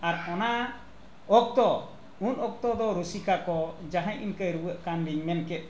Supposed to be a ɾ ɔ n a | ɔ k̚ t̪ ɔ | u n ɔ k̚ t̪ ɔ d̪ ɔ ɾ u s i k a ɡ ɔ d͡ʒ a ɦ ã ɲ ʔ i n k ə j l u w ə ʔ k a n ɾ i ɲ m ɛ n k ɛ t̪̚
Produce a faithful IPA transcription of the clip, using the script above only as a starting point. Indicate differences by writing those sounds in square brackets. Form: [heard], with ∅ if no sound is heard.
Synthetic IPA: a ɾ ɔ n a | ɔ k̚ t̪ ɔ | u n ɔ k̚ t̪ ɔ d̪ ɔ ɾ u s i k a [k] ɔ d͡ʒ a ɦ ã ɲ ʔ i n k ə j [ɾ] u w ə ʔ k a n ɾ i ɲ m ɛ n k ɛ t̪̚